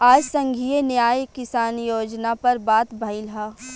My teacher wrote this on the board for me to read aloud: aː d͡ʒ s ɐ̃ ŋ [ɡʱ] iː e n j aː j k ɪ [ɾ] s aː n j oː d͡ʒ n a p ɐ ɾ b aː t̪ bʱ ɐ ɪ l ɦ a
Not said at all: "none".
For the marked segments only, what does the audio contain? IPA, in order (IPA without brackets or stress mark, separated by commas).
ɡʱ, none